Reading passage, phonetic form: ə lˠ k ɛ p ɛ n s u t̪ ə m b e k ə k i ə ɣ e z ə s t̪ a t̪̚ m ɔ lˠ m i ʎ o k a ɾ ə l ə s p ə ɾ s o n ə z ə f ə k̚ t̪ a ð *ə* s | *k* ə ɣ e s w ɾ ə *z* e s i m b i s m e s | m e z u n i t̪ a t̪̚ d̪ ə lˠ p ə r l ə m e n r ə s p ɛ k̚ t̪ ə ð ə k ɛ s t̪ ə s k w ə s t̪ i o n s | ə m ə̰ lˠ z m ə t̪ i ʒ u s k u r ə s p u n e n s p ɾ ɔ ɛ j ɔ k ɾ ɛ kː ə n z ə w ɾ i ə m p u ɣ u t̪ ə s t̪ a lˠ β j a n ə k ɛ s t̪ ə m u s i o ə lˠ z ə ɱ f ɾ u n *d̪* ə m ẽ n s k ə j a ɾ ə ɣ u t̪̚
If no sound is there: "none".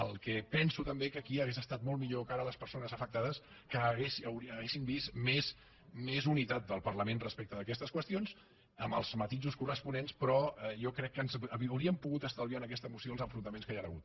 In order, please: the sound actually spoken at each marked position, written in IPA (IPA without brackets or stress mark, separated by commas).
ə, k, ɣ, t̪